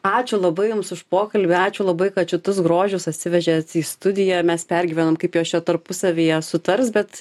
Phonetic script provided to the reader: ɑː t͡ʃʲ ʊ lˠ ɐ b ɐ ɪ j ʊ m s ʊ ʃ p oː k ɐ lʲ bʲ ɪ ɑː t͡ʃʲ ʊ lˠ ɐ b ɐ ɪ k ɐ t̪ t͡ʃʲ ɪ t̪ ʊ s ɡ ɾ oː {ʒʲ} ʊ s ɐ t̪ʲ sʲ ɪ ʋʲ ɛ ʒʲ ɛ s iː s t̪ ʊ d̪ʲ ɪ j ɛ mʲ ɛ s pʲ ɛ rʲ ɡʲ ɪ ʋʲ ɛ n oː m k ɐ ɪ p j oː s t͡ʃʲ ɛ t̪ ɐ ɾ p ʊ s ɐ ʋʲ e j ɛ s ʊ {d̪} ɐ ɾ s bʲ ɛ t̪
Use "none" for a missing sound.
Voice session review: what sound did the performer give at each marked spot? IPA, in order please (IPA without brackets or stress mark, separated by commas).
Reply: ʒʲ, t̪